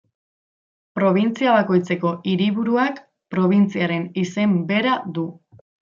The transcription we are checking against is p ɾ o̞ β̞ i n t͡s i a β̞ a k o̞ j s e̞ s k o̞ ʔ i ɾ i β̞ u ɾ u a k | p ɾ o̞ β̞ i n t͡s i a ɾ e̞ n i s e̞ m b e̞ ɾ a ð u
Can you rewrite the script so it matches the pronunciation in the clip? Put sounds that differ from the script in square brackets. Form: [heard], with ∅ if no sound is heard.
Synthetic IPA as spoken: p ɾ o̞ β̞ i n t͡s i a β̞ a k o̞ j [t͡s] e̞ [∅] k o̞ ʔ i ɾ i β̞ u ɾ u a k | p ɾ o̞ β̞ i n t͡s i a ɾ e̞ n i s e̞ m b e̞ ɾ a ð u